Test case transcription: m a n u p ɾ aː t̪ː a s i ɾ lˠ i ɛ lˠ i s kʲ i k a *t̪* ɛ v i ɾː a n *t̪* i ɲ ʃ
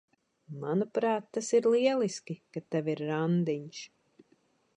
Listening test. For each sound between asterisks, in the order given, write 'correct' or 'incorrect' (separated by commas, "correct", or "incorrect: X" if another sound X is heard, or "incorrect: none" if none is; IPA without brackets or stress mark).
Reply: correct, incorrect: d̪